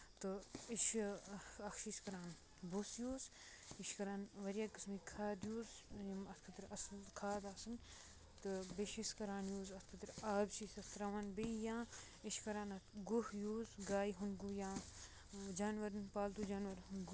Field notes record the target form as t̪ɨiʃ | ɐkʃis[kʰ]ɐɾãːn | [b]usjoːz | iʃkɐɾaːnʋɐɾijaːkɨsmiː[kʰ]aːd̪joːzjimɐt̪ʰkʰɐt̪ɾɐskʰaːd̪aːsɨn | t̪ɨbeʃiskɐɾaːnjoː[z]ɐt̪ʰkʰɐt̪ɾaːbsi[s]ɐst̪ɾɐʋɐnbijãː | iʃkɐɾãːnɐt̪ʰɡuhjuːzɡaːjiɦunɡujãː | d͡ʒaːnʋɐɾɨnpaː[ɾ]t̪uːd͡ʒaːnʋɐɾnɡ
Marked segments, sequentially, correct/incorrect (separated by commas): incorrect, correct, correct, correct, correct, incorrect